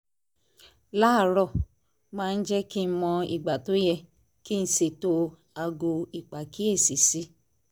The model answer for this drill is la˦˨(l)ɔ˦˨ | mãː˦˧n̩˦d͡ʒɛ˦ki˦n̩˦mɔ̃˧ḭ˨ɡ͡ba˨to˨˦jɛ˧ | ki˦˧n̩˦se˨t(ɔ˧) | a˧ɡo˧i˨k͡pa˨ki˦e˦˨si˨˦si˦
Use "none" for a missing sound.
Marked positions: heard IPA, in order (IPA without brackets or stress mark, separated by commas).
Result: ɾ, o˧